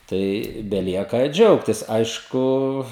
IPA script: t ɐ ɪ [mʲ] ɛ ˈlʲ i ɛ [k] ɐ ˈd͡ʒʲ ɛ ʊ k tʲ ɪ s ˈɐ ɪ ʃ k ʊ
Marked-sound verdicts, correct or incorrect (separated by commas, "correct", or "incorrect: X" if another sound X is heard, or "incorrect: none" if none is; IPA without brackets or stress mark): incorrect: bʲ, correct